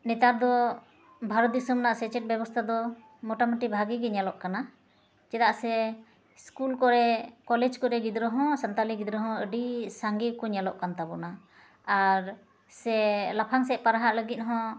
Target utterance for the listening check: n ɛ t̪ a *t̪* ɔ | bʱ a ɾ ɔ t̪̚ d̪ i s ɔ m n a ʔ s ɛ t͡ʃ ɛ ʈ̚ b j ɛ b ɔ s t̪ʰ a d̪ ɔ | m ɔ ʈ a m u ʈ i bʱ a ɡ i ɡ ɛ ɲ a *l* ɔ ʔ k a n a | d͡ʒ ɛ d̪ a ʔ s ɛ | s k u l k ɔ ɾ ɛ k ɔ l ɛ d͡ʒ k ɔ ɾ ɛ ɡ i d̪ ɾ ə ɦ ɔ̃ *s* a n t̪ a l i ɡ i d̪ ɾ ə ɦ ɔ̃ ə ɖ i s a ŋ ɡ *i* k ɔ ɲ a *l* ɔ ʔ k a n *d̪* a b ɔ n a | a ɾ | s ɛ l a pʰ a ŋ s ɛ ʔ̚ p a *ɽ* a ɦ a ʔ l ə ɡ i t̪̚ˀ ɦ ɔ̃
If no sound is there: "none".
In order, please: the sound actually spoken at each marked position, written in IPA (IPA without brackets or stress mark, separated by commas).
d̪, l, s, i, l, t̪, ɾ